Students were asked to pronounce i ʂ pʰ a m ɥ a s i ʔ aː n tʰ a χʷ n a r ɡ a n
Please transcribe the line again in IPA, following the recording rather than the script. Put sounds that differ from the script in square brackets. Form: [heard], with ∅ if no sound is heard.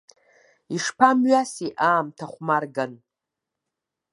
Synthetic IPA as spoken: i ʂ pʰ a m ɥ a s i ʔ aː [m] tʰ a χʷ [m] a r ɡ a n